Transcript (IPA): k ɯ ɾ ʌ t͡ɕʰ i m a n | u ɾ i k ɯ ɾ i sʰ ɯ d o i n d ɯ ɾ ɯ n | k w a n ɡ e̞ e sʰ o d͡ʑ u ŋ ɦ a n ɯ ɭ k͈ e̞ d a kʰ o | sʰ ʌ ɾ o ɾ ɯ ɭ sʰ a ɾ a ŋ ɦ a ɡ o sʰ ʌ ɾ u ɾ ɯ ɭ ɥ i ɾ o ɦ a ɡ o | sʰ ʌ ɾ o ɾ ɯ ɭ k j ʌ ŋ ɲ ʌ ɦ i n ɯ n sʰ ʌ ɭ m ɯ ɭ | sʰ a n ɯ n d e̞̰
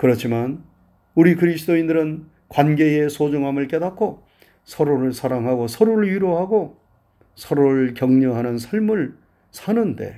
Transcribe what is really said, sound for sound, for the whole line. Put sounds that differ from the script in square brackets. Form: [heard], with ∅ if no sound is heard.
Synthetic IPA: k ɯ ɾ ʌ t͡ɕʰ i m a n | u ɾ i k ɯ ɾ i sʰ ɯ d o i n d ɯ ɾ ɯ n | k w a n ɡ e̞ e sʰ o d͡ʑ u ŋ ɦ a [m] ɯ ɭ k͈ e̞ d a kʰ o | sʰ ʌ ɾ o ɾ ɯ ɭ sʰ a ɾ a ŋ ɦ a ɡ o sʰ ʌ ɾ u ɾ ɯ ɭ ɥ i ɾ o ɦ a ɡ o | sʰ ʌ ɾ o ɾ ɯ ɭ k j ʌ ŋ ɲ ʌ ɦ [a] n ɯ n sʰ ʌ ɭ m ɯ ɭ | sʰ a n ɯ n d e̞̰